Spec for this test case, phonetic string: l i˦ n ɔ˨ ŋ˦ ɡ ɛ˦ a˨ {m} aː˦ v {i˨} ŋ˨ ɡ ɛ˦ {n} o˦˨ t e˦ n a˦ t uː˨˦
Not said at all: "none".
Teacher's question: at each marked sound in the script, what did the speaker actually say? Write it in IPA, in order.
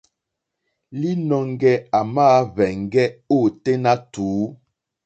m, ɛ˨, none

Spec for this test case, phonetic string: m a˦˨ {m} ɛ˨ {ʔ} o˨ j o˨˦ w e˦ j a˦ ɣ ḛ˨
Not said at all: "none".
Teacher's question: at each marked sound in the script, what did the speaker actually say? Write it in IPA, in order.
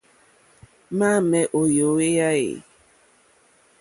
m, ʔ

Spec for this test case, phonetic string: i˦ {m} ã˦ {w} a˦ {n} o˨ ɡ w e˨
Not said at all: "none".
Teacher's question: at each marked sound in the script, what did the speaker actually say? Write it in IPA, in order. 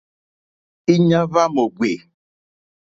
ɲ, v, m

